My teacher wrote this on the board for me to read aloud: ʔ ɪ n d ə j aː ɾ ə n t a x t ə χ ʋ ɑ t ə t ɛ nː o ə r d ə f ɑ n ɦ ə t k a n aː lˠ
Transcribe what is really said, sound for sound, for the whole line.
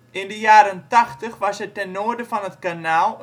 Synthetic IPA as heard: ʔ ɪ n d ə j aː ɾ ə n t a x t ə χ ʋ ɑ s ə t ɛ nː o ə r d ə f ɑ n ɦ ə t k a n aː lˠ